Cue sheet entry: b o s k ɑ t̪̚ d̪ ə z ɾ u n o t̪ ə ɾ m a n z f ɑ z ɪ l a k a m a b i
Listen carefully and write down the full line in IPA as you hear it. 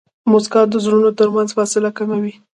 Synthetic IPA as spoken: m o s k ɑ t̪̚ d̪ ə z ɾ u n o t̪ ə ɾ m a n z f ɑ s ɪ l a k a m a w i